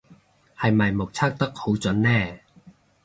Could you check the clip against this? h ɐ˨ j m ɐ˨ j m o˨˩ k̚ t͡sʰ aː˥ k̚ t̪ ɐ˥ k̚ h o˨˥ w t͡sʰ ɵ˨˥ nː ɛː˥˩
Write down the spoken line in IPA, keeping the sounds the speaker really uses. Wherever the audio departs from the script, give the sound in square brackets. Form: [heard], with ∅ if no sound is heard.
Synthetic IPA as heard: h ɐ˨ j m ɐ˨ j m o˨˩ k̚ t͡sʰ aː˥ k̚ t̪ ɐ˥ k̚ h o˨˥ w [t͡s] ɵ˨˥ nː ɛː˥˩